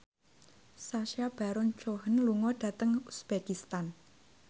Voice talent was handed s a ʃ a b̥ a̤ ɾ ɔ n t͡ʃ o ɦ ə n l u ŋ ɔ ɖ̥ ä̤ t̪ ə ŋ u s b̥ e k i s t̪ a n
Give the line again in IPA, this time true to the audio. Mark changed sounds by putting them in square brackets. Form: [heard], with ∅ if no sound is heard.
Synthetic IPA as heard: s a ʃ a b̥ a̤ ɾ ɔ n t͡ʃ o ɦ ə n l u ŋ ɔ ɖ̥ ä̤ t̪ ə ŋ u s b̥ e k i s t̪ a n